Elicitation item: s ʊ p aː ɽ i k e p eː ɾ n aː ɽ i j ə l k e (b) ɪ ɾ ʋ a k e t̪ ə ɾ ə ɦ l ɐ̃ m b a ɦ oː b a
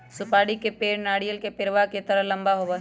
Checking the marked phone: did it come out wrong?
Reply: yes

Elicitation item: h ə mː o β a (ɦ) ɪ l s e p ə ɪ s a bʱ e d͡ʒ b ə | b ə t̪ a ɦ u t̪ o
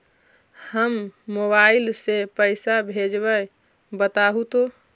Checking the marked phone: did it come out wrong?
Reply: yes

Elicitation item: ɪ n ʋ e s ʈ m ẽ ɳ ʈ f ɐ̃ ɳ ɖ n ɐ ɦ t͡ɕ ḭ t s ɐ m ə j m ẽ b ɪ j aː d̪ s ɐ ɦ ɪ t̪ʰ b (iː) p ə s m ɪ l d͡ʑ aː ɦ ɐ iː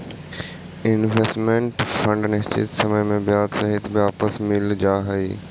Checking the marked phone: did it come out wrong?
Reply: yes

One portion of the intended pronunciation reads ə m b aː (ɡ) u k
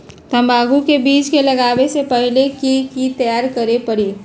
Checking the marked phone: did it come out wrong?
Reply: no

